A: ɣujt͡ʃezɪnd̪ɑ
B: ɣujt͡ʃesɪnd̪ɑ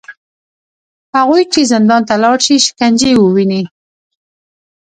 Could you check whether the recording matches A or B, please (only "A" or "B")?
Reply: A